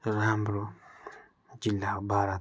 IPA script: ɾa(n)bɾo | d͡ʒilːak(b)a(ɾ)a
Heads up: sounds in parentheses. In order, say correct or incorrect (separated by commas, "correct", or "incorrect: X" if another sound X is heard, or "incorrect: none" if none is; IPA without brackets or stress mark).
incorrect: m, correct, correct